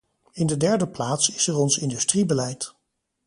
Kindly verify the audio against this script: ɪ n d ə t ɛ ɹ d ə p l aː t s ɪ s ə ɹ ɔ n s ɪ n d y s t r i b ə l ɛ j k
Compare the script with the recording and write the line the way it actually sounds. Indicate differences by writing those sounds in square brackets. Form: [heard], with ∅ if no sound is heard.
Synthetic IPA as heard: ɪ n d ə [d] ɛ ɹ d ə p l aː t s ɪ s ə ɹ ɔ n s ɪ n d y s t r i b ə l ɛ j [t]

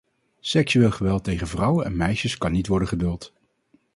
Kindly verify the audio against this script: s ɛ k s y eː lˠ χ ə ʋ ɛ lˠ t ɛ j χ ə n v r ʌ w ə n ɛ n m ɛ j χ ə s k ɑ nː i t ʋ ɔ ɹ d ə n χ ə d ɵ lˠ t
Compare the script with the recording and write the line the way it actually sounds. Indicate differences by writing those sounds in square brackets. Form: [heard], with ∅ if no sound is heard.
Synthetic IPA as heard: s ɛ k s y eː lˠ χ ə ʋ ɛ lˠ t [e] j χ ə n v r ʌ w ə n ɛ n m ɛ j [ʃ] ə s k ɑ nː i t ʋ ɔ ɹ d ə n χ ə d ɵ lˠ t

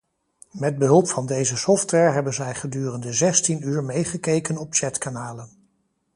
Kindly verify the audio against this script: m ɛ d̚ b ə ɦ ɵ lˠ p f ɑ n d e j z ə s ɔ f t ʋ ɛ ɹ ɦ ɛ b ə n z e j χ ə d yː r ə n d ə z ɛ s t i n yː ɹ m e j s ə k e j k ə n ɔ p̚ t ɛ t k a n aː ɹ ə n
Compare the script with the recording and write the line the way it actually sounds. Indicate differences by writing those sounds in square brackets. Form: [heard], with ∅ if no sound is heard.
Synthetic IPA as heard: m ɛ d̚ b ə ɦ ɵ lˠ p f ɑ n d e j z ə s ɔ f t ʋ ɛ ɹ ɦ ɛ b ə n z [ɛ] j χ ə d yː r ə n d ə z ɛ s t i n yː ɹ m e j [χ] ə k e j k ə n ɔ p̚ [t͡ʃ] ɛ t k a n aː [l] ə n

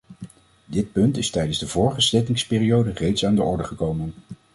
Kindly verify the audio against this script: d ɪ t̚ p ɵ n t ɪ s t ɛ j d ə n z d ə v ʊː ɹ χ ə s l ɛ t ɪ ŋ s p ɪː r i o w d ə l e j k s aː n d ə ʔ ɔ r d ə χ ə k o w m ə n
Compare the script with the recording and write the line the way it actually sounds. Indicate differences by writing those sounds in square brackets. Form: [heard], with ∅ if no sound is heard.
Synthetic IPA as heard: d ɪ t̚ p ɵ n t ɪ s t ɛ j d ə n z d ə v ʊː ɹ χ ə s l ɛ t ɪ ŋ s p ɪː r i o w d ə [r] e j [t] s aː n d ə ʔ ɔ [ɹ] d ə χ ə k o w m ə n

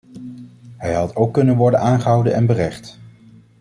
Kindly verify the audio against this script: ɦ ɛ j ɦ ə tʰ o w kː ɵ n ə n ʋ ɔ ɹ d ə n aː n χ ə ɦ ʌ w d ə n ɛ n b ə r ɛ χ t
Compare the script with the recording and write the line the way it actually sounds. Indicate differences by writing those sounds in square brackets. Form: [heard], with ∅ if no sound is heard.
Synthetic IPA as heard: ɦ ɛ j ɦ [ɑ] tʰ o w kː ɵ n ə n ʋ ɔ ɹ d ə n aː n χ ə ɦ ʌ w d ə n ɛ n b ə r ɛ χ t

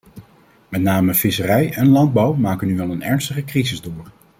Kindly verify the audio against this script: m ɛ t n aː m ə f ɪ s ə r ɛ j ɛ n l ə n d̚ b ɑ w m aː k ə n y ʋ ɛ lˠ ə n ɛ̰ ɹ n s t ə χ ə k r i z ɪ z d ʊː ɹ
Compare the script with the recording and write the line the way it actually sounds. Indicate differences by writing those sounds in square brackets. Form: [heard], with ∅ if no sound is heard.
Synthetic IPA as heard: m ɛ t n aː m ə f ɪ s ə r ɛ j ɛ n l [ɑ] n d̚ b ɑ w m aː k ə n y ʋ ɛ lˠ ə n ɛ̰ ɹ n s t ə χ ə k r i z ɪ z d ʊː ɹ

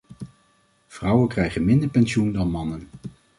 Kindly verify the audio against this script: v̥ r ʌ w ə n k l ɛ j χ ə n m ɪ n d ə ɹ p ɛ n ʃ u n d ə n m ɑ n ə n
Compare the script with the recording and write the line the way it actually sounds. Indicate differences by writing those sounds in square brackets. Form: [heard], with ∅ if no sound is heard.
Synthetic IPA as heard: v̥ r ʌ w ə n k [r] ɛ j χ ə n m ɪ n d ə ɹ p ɛ n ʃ u n d [ɑ] n m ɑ n ə n

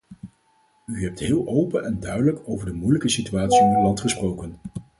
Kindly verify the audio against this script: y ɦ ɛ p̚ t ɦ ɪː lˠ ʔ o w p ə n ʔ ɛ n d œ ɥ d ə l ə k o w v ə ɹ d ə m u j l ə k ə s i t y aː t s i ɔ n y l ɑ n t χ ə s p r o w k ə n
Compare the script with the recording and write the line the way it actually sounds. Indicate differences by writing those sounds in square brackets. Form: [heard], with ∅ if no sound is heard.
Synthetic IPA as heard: y ɦ ɛ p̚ t ɦ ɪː lˠ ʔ o w p ə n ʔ ɛ n d œ ɥ d ə l ə k o w v ə ɹ d ə m u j l ə k ə s i t y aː t s i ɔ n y l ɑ n t χ ə s p r o w k ə n

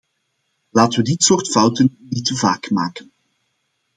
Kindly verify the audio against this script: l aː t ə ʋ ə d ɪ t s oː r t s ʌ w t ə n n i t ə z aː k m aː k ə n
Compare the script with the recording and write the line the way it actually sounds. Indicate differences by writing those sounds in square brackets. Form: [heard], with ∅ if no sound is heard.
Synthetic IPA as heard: l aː t ə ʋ ə d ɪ t s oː r t [f] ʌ w t ə n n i t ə [v] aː k m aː k ə n

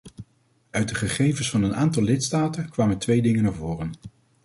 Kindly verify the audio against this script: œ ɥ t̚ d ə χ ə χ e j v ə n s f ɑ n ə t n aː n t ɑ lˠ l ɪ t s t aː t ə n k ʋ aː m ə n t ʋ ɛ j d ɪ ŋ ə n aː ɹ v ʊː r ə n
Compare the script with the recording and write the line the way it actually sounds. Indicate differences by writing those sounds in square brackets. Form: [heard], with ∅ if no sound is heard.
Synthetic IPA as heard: œ ɥ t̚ d ə χ ə χ e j v ə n s f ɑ n ə [∅] n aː n t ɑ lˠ l ɪ t s t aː t ə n k ʋ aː m ə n t ʋ [e] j d ɪ ŋ ə n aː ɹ v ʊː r ə n

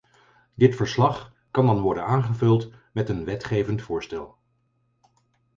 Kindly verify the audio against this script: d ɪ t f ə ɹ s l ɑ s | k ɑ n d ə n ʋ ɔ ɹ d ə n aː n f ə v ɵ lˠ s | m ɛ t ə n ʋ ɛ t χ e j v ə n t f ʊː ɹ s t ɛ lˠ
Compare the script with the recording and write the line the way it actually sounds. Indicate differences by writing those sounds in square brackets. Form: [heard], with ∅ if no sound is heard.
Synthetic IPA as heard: d ɪ t f ə ɹ s l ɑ [χ] | k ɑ n d [ɑ] n ʋ ɔ ɹ d ə n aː n [χ] ə v ɵ lˠ [t] | m ɛ t ə n ʋ ɛ t χ e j v ə n t f ʊː ɹ s t ɛ lˠ

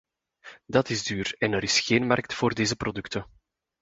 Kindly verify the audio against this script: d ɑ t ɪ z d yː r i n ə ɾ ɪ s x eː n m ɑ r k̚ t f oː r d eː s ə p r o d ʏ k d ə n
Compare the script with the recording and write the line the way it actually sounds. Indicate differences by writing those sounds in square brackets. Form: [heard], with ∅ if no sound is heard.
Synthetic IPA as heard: d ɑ t ɪ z d yː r [ɛ] n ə ɾ ɪ s x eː n m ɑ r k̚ t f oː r d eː [z] ə p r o d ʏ k [t] ə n

